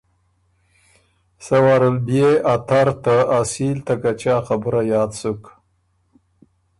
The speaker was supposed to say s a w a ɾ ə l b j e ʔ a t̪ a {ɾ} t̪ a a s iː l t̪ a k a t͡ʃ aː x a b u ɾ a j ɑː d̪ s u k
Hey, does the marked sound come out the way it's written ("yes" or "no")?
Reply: yes